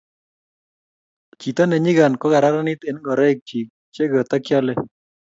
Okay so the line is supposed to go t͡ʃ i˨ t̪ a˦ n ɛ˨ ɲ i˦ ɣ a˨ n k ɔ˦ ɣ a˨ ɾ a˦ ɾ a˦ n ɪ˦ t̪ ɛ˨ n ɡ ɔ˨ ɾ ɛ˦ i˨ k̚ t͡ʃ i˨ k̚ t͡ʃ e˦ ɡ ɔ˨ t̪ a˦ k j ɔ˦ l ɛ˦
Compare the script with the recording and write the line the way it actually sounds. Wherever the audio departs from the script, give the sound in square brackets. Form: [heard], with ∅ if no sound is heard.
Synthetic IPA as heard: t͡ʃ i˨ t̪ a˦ n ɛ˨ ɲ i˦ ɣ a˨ n k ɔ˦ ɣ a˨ ɾ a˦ ɾ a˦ n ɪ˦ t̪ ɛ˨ n ɡ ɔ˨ ɾ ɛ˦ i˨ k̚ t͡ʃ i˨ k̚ t͡ʃ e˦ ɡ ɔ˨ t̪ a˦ k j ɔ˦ l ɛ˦